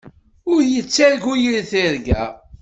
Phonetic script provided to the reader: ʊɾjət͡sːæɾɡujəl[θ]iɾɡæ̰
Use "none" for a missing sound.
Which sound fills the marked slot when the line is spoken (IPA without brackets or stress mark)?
θ